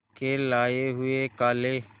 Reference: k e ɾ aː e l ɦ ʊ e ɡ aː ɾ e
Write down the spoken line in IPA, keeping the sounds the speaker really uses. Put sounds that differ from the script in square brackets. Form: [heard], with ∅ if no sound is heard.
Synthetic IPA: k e [l] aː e [∅] ɦ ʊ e [k] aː [l] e

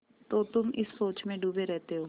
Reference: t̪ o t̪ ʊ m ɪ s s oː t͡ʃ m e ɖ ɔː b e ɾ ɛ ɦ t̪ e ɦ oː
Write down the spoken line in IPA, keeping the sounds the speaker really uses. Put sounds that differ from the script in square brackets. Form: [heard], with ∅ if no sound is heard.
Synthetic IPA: t̪ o t̪ ʊ m ɪ s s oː t͡ʃ m [ẽ] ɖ [uː] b e ɾ ɛ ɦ t̪ e ɦ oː

